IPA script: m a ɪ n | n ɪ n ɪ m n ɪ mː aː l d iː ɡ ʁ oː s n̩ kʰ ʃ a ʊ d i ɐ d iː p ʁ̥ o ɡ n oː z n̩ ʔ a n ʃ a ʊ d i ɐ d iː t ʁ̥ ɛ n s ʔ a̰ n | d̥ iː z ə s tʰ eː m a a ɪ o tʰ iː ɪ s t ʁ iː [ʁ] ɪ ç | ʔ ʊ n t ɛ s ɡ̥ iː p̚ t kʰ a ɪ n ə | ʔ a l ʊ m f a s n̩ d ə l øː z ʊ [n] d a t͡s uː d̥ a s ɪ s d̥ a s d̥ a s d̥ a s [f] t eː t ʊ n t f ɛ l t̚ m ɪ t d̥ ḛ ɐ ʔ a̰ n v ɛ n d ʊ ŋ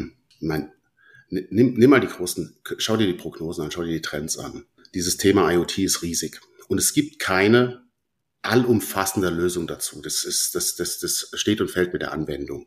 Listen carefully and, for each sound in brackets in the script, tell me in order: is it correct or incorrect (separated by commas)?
incorrect, incorrect, incorrect